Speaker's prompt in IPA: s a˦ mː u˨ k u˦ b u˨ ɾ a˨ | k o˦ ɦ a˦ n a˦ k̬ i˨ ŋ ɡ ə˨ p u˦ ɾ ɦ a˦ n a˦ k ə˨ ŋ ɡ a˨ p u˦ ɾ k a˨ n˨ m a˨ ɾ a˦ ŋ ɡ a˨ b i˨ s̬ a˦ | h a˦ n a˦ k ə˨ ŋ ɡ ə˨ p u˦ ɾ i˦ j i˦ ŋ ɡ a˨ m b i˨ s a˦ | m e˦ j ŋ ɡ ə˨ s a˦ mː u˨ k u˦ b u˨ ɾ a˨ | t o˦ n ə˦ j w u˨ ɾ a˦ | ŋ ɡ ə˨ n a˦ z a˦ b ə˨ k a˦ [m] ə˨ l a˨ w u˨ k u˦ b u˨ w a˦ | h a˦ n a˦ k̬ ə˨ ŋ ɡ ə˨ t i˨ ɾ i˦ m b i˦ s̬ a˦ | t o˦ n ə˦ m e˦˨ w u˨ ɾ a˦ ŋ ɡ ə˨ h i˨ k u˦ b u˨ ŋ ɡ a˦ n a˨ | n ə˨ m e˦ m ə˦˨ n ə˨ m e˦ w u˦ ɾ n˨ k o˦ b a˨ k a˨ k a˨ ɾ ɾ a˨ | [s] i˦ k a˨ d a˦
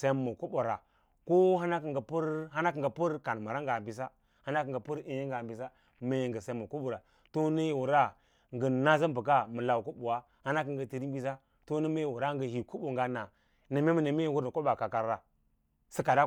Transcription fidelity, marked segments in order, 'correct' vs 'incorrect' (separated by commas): correct, correct